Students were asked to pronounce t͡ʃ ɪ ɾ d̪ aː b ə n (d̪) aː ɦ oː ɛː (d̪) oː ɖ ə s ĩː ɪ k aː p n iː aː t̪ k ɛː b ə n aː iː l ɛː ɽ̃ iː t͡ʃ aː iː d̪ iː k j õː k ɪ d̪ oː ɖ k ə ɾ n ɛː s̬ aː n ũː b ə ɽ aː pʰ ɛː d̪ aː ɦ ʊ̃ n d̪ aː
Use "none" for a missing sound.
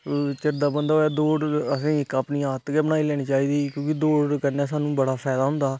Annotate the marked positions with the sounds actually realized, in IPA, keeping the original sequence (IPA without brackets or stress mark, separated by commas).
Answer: d̪, d̪